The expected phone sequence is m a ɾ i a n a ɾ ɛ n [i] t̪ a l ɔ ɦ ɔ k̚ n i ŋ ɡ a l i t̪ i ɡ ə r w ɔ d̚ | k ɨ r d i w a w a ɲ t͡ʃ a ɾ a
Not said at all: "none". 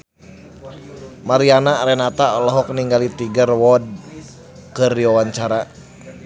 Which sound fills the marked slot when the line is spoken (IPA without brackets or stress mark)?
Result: a